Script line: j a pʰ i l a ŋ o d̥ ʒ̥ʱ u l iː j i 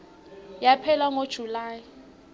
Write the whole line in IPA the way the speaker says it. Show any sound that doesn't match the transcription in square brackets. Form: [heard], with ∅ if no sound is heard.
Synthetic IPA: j a pʰ [ɛ] l a ŋ o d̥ ʒ̥ʱ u l [aː] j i